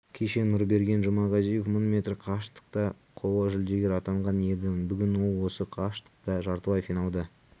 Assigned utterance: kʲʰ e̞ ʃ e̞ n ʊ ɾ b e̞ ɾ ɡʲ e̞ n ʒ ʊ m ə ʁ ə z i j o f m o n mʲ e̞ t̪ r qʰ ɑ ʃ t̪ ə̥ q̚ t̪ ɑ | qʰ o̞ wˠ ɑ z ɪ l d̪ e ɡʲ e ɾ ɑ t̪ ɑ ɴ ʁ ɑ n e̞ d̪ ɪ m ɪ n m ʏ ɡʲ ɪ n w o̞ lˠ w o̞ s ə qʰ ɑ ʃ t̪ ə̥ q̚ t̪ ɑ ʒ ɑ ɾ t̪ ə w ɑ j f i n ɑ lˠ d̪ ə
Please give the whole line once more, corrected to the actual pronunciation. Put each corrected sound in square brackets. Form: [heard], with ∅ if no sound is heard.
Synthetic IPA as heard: kʲʰ e̞ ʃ e̞ n ʊ ɾ b e̞ ɾ ɡʲ e̞ n ʒ ʊ m [ɑ] ʁ [ɑ] z i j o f m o n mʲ e̞ t̪ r qʰ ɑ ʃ t̪ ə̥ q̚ t̪ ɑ | qʰ o̞ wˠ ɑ [ʒ] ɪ l d̪ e ɡʲ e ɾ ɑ t̪ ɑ ɴ ʁ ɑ n e̞ d̪ ɪ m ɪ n [b] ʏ ɡʲ ɪ n w o̞ lˠ w o̞ s ə qʰ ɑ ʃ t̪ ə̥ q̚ t̪ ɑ ʒ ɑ ɾ t̪ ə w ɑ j f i n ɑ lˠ d̪ ə